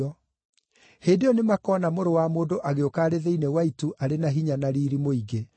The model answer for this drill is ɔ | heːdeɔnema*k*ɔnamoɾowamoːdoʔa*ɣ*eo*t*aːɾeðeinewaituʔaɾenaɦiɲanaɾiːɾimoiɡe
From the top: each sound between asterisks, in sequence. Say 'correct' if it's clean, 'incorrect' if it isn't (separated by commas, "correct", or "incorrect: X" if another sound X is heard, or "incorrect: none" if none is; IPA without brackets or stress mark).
correct, correct, incorrect: k